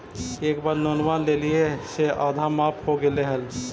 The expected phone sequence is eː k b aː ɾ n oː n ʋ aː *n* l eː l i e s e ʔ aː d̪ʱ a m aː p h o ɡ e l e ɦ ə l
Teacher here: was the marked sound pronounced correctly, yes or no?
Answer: yes